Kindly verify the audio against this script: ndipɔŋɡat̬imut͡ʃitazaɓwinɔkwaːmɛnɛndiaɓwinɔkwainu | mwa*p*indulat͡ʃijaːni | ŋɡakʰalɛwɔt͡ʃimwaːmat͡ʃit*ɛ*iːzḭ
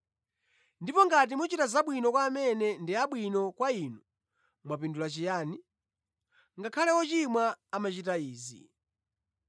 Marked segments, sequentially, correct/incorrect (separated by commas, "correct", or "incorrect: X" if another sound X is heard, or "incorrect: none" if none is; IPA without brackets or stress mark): correct, incorrect: a